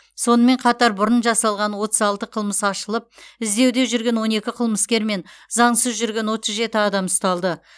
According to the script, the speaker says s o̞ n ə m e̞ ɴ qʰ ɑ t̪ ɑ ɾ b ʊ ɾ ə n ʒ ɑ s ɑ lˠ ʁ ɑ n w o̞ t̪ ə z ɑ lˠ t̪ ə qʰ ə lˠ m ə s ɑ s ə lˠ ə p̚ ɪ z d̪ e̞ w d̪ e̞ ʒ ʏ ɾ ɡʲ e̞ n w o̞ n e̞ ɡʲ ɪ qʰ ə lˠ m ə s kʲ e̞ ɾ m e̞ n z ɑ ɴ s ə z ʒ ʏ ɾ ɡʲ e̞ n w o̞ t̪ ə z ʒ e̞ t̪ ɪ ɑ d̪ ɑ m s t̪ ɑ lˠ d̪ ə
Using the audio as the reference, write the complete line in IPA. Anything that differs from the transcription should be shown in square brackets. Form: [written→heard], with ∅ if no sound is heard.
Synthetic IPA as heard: s o̞ n ə m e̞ ɴ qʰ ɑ t̪ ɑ ɾ b ʊ ɾ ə n ʒ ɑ s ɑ lˠ ʁ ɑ n w o̞ t̪ ə z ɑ lˠ t̪ ə qʰ ə lˠ m ə s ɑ [s→ʃ] ə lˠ ə p̚ ɪ z d̪ e̞ w d̪ e̞ ʒ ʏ ɾ ɡʲ e̞ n w o̞ n e̞ [ɡʲ→kʲ] ɪ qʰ ə lˠ m ə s kʲ e̞ ɾ m e̞ n z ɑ ɴ s ə z ʒ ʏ ɾ ɡʲ e̞ n w o̞ t̪ ə z ʒ e̞ t̪ ɪ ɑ d̪ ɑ m s t̪ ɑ lˠ d̪ ə